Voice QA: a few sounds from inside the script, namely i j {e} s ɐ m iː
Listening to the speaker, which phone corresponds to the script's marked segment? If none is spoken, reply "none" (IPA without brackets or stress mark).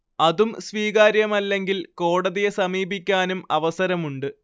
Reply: e